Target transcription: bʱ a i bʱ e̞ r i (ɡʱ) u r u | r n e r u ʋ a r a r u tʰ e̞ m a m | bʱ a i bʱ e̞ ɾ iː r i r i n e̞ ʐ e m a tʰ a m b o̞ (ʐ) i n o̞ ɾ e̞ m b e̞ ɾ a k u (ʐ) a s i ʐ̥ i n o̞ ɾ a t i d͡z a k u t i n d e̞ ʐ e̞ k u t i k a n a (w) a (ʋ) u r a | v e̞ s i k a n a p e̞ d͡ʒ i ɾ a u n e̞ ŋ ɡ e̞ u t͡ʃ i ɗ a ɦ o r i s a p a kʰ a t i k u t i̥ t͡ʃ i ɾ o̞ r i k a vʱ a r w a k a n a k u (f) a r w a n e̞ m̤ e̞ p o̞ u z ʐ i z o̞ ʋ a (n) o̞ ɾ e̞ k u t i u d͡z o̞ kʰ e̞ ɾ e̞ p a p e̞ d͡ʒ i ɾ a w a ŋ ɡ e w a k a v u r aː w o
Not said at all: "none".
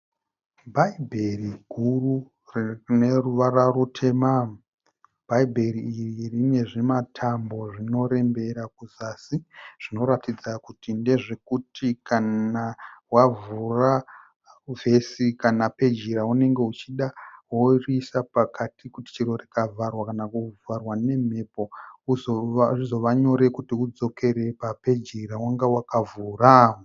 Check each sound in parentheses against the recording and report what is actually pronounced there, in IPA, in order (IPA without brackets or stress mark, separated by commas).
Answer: ɡʱ, ʐ, z, w, v, v, ɲ